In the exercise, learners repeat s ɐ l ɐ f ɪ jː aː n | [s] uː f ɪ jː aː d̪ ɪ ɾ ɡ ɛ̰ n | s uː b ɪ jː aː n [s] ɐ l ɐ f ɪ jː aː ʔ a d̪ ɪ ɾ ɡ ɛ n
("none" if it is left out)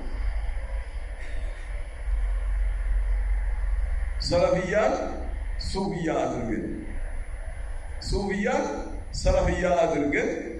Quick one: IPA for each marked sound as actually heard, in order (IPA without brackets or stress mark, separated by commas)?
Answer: s, s